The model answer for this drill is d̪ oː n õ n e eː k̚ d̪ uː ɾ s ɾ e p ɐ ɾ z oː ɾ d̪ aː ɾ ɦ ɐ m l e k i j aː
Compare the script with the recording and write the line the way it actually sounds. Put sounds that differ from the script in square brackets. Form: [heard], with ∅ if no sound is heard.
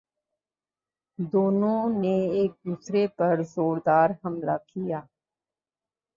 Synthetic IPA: d̪ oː n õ n e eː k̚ d̪ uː [∅] s ɾ e p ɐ ɾ z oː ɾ d̪ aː ɾ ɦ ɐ m l [a] k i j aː